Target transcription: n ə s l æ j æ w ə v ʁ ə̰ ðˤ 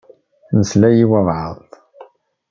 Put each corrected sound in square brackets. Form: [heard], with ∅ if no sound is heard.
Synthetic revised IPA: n ə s l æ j [i] w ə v [ʕ] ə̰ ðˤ